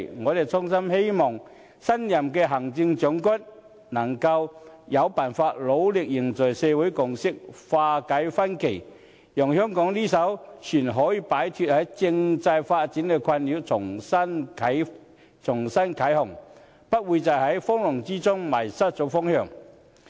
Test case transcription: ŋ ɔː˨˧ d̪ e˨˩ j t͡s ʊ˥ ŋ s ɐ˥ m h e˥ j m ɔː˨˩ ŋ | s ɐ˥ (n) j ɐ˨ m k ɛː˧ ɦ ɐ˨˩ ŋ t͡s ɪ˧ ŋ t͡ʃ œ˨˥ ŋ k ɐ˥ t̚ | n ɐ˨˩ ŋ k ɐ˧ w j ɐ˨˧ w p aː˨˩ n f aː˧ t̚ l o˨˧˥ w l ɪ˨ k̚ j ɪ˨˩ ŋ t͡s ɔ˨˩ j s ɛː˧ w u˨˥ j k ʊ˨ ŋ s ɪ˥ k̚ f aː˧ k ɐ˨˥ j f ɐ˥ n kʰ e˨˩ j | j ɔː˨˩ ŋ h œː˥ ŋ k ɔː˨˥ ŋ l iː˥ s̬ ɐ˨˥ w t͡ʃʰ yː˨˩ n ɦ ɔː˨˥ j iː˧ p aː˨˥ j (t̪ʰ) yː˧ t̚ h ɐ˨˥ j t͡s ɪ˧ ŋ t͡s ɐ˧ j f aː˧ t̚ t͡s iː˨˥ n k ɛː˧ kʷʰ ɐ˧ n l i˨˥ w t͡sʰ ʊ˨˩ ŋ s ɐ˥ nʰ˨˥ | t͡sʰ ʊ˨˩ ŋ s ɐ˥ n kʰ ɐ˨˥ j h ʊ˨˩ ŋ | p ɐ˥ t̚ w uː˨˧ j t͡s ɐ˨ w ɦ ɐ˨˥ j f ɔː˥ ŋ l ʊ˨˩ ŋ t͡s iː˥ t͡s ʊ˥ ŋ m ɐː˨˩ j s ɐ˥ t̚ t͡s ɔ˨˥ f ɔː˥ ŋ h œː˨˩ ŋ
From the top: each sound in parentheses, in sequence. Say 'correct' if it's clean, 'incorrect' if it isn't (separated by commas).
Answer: correct, correct